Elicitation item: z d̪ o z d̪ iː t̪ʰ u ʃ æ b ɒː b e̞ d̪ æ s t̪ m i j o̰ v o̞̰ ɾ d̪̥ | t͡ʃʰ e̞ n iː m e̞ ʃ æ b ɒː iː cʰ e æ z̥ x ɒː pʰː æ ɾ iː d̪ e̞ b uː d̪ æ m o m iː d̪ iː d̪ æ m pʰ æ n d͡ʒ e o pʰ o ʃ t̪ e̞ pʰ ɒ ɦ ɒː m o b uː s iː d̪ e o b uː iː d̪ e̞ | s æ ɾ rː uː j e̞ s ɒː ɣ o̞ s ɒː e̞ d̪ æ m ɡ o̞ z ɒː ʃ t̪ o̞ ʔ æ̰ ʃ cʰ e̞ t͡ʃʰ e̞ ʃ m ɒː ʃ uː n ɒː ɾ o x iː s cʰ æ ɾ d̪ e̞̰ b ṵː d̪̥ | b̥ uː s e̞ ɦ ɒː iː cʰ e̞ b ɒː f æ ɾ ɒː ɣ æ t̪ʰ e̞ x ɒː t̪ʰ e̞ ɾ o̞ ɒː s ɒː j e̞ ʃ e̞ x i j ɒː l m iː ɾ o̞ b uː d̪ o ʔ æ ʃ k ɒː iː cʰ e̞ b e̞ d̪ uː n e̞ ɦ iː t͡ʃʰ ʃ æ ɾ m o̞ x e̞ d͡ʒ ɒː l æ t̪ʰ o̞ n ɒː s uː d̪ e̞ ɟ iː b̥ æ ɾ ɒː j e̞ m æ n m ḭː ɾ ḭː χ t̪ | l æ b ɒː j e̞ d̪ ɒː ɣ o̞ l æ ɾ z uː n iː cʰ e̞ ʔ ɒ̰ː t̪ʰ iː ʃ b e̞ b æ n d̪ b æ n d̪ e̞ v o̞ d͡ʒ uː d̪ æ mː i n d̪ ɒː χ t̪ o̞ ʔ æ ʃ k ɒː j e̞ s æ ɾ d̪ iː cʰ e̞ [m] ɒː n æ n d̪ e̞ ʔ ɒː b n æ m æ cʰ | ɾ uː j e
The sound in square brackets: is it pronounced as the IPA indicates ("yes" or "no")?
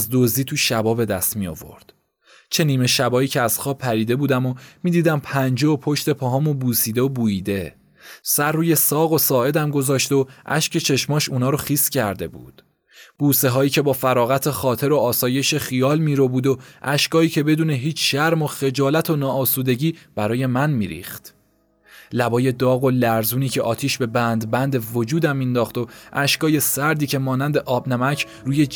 yes